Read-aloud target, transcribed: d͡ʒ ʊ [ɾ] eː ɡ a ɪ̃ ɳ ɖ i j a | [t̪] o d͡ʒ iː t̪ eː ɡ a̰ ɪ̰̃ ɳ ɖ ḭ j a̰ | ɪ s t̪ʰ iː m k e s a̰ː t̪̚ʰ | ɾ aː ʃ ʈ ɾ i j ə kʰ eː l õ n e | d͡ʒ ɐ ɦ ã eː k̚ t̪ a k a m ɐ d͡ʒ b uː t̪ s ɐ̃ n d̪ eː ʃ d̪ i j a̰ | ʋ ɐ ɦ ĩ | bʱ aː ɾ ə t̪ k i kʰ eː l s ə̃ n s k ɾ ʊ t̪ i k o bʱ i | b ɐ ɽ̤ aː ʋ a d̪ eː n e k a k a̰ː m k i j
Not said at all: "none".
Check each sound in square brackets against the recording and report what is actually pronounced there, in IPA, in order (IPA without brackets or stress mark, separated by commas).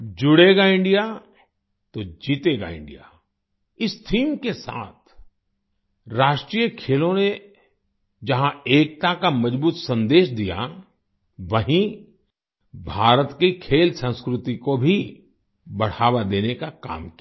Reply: ɽ, t̪